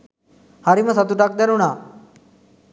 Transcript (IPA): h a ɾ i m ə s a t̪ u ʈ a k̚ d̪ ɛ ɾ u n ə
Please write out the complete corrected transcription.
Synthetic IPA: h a ɾ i m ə s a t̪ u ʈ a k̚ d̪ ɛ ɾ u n a